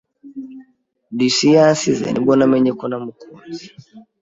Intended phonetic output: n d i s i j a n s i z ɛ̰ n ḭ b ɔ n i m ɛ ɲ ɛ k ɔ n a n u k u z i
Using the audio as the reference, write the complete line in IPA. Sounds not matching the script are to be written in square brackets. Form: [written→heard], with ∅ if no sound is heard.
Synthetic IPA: n d i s i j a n s i z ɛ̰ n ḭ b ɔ n [i→a] m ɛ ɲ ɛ k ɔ n a [n→m] u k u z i